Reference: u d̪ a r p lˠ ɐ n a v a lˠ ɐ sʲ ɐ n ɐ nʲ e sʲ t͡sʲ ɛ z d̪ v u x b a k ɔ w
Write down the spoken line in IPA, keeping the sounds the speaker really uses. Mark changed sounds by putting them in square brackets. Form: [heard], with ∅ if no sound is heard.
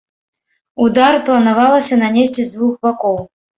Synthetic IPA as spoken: u d̪ a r p lˠ ɐ n a v a lˠ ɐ sʲ ɐ n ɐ nʲ e sʲ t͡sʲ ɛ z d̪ v u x b a k ɔ w